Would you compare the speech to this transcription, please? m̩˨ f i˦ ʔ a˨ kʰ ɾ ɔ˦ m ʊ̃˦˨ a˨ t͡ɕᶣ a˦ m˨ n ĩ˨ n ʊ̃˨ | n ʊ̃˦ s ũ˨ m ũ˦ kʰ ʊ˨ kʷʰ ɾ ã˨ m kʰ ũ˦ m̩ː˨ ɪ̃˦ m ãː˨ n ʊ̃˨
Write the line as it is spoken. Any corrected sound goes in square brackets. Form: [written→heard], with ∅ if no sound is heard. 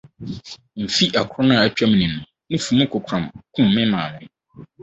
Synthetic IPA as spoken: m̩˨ f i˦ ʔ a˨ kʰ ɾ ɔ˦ [m→n] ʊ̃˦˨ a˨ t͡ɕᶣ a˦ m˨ n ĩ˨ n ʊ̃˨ | n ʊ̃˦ [s→f] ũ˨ m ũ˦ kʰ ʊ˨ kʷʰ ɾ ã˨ m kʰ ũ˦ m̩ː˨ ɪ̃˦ m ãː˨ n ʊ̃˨